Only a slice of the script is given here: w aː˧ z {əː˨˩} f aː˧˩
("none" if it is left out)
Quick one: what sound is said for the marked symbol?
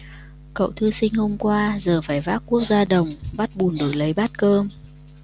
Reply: əː˨˩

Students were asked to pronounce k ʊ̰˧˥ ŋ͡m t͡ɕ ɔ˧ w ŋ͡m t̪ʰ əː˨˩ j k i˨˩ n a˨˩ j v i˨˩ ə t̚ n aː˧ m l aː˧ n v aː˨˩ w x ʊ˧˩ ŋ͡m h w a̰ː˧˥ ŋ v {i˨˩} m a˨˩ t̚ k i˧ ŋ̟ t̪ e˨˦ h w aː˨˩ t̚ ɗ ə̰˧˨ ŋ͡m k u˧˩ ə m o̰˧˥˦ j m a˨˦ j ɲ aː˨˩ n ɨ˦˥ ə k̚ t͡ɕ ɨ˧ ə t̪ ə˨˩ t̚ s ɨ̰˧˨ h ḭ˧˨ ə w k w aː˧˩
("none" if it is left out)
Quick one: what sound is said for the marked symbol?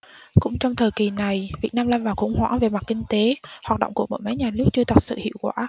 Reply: e˨˩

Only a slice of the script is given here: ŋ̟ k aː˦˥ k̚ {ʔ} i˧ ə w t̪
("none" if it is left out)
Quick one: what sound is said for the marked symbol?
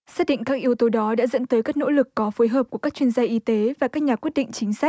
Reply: ʔ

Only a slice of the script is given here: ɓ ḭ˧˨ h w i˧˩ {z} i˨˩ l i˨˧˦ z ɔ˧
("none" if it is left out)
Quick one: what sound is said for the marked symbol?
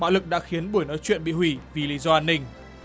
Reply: v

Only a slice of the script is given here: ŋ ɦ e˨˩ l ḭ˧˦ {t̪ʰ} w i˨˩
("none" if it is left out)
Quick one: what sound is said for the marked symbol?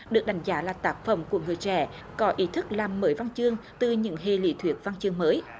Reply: t̪ʰ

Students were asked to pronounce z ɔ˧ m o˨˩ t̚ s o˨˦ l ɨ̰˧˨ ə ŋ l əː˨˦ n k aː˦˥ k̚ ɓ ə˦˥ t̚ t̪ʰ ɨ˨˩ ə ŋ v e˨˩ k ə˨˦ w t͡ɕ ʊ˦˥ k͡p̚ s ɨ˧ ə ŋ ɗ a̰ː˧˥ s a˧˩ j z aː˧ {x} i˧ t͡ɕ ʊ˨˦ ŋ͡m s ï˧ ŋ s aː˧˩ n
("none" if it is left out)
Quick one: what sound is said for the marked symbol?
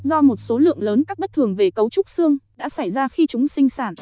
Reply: x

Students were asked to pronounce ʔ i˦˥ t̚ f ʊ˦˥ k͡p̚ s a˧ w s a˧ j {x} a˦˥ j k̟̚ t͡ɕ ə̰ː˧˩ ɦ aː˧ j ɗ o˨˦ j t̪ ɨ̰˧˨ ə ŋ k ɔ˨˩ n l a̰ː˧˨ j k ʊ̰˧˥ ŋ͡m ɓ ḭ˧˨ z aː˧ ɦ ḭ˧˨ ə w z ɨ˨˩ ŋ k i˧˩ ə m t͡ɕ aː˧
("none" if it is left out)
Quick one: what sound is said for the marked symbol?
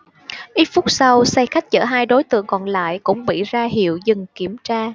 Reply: x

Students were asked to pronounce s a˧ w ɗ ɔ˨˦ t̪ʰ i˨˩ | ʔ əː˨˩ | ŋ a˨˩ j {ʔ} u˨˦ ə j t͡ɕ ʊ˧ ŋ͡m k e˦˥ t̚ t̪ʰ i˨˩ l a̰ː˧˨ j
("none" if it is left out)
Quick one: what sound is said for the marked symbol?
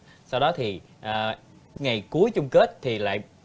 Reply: k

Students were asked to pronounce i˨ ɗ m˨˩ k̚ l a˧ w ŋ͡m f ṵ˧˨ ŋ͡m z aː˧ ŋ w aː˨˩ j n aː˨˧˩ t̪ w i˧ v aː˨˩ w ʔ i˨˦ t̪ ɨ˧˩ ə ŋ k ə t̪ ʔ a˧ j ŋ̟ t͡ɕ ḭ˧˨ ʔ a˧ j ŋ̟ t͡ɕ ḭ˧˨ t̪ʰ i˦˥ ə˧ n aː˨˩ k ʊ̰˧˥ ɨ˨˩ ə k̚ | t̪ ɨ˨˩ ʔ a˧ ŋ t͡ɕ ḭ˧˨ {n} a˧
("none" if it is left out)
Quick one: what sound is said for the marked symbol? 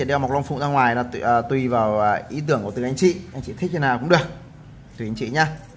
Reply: ɲ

